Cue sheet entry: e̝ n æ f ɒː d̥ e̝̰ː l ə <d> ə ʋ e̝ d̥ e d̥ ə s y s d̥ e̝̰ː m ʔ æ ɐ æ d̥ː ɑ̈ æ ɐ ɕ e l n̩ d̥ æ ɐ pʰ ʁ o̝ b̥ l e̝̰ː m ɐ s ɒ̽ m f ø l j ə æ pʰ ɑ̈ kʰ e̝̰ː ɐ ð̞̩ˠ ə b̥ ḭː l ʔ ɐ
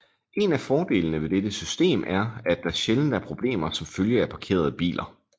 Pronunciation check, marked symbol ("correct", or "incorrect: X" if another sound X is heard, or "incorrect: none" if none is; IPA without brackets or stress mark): incorrect: n